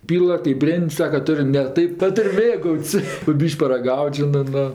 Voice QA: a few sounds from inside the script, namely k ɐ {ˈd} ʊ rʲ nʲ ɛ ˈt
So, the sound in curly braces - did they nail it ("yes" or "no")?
no